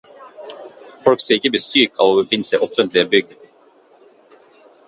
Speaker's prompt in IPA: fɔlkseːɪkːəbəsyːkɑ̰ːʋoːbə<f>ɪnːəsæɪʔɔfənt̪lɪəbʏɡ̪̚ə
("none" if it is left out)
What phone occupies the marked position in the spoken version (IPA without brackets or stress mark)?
f